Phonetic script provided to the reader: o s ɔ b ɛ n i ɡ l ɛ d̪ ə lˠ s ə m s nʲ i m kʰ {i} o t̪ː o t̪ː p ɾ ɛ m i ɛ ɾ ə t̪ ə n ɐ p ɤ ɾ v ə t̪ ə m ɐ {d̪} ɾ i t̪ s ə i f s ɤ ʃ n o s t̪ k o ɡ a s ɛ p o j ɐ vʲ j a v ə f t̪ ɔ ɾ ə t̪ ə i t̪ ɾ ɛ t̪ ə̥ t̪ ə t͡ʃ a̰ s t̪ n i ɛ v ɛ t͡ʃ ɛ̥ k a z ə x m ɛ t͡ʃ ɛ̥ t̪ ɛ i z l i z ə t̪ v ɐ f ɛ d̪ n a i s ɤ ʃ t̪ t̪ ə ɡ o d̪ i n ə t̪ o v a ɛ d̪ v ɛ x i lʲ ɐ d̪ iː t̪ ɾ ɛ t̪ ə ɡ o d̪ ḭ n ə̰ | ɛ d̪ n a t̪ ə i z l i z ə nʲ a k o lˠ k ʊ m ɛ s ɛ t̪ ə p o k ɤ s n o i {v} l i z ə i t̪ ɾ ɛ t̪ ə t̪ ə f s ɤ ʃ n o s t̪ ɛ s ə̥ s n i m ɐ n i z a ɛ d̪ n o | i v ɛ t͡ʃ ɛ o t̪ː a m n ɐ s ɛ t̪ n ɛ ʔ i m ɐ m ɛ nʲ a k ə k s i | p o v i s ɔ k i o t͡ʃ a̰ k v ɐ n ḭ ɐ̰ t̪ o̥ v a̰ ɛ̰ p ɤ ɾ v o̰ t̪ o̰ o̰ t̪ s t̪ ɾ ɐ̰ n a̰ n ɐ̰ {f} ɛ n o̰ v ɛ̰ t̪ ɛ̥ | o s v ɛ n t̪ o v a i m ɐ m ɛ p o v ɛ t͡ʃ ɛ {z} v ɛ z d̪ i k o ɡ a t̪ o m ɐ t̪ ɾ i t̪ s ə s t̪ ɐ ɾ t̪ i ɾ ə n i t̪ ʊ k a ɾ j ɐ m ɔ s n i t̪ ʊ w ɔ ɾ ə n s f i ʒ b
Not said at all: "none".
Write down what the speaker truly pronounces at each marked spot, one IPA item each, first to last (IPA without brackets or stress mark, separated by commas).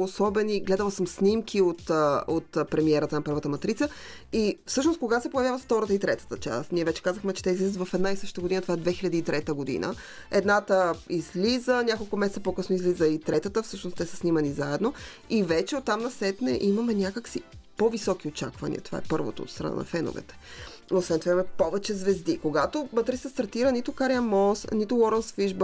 i, t̪, z, f, z